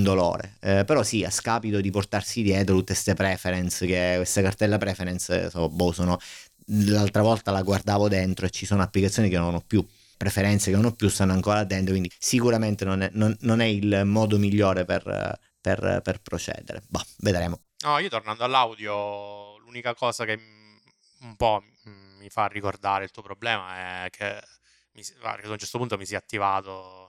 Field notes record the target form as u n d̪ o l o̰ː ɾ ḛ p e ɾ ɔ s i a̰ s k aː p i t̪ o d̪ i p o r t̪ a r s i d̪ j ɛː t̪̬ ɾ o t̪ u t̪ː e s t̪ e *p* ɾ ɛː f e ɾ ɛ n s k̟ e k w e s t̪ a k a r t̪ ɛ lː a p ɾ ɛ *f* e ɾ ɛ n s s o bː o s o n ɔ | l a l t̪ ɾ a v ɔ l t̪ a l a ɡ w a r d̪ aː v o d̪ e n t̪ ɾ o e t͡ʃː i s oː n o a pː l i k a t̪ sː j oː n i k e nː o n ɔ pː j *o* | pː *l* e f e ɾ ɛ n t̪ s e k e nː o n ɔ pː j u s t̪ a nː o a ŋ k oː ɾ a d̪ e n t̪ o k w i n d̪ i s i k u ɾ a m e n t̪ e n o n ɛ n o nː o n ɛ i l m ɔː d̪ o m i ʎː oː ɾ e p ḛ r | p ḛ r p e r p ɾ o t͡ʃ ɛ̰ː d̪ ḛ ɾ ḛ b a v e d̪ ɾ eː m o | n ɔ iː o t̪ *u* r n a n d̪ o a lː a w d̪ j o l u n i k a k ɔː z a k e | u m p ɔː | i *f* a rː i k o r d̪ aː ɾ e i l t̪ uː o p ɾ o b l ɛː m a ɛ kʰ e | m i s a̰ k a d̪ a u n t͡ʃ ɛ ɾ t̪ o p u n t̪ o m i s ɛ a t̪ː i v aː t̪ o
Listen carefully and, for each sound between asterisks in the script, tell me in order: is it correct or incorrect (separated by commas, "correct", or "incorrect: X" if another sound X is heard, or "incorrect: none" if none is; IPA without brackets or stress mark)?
correct, correct, incorrect: u, incorrect: ɾ, incorrect: o, correct